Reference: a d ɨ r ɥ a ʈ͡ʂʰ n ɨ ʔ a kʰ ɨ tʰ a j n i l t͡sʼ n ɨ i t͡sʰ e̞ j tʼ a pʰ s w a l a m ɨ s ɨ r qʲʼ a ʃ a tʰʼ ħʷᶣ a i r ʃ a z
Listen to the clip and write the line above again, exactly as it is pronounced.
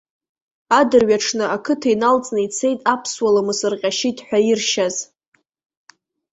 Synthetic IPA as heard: a d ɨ r ɥ a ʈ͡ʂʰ n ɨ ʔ a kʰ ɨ tʰ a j n a l t͡sʼ n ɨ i t͡sʰ e̞ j tʼ a pʰ s w a l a m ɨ s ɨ r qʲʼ a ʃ i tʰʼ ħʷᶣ a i r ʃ a z